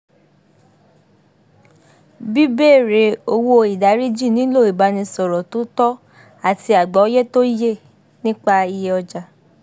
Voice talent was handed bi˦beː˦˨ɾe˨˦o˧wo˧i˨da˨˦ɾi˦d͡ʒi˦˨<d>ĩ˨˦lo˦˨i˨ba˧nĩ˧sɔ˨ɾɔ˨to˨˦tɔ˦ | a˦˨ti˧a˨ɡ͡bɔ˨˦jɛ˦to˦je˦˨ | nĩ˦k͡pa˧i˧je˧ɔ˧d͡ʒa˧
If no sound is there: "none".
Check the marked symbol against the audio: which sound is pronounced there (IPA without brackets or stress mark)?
n